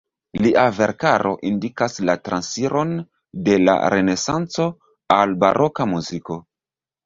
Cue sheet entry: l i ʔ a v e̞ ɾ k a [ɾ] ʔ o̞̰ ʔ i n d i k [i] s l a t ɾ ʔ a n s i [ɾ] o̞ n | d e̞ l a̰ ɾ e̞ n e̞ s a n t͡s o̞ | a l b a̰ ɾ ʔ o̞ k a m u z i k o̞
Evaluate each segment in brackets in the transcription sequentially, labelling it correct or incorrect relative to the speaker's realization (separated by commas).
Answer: correct, incorrect, correct